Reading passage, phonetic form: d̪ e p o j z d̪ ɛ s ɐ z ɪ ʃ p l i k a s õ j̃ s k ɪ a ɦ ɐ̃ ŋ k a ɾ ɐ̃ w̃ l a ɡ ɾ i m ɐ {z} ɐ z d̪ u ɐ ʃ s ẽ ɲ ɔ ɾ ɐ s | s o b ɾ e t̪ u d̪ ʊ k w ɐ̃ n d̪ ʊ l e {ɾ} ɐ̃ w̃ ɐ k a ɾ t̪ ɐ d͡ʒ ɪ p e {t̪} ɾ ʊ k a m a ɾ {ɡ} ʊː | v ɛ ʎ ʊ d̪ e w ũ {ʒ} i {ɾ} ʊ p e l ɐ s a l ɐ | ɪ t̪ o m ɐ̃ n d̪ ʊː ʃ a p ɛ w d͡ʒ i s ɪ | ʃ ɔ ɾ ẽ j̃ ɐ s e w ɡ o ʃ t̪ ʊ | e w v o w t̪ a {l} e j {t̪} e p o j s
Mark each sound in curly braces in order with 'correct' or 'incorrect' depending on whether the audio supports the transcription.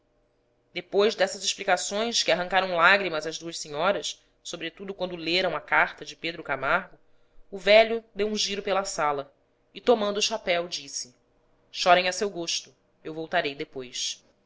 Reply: correct, correct, incorrect: d̪, correct, correct, correct, incorrect: ɾ, incorrect: d̪

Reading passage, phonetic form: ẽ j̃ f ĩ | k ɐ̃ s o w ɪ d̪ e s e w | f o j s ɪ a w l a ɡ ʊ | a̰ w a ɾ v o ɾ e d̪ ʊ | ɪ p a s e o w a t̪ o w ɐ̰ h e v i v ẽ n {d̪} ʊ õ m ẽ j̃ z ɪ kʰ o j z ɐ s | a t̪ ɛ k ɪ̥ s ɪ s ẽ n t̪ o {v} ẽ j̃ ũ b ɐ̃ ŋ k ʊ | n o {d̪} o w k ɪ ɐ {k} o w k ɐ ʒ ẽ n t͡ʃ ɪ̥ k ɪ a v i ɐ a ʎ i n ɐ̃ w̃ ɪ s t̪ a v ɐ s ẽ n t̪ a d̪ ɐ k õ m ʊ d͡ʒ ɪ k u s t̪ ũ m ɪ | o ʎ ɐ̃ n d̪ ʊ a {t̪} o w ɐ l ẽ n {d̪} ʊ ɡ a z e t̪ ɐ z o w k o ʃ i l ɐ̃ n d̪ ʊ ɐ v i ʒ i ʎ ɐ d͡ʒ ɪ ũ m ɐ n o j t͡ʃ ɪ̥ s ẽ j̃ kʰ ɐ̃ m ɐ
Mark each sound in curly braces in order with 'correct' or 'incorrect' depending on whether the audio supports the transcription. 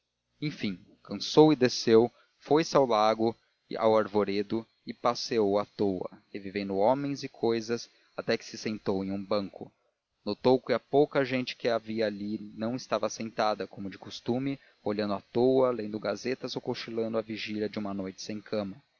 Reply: correct, incorrect: w, incorrect: t̪, incorrect: p, correct, correct

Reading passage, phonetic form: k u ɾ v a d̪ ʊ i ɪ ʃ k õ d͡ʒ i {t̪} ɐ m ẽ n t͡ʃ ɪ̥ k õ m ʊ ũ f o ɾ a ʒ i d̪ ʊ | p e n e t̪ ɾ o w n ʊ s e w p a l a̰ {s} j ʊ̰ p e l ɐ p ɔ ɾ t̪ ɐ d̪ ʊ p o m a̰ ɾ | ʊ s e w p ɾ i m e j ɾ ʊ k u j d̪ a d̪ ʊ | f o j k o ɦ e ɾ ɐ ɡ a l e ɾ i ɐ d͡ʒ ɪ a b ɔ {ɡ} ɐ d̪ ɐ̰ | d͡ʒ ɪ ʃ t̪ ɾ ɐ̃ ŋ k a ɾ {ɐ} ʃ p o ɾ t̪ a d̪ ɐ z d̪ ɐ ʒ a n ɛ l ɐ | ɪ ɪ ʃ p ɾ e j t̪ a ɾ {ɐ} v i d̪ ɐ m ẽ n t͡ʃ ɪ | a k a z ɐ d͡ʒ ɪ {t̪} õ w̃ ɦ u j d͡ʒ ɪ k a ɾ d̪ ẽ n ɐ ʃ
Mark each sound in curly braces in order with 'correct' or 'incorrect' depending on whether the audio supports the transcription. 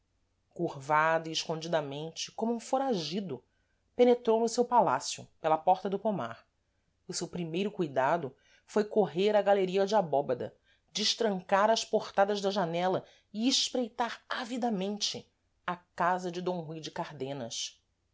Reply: incorrect: d̪, correct, incorrect: b, correct, incorrect: a, incorrect: d̪

